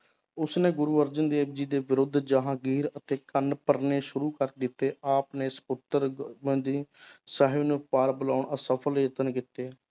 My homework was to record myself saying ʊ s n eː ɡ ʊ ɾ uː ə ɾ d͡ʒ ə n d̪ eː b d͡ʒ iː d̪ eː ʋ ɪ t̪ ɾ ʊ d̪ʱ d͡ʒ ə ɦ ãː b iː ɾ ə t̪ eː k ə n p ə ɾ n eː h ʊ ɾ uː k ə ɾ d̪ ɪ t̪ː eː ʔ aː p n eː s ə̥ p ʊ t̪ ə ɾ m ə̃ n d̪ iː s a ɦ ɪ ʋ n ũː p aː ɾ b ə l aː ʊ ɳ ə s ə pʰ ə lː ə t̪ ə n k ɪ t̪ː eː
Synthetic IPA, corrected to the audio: ʊ s n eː ɡ ʊ ɾ uː ə ɾ d͡ʒ ə n d̪ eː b d͡ʒ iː d̪ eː ʋ ɪ ɾ ʊ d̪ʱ d͡ʒ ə ɦ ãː ɡ iː ɾ ə t̪ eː k ə n p ə ɾ n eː ʃ ʊ ɾ uː k ə ɾ d̪ ɪ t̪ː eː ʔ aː p n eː s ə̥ p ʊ t̪ ə ɾ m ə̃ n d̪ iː s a ɦ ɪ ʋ n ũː p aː ɾ b ə l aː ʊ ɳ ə s ə pʰ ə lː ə t̪ ə n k ɪ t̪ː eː